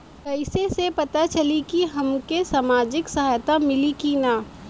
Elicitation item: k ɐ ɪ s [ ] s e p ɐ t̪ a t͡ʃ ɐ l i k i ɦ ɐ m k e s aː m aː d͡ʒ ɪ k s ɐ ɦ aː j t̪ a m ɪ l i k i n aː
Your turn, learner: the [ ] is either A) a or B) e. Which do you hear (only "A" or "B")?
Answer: B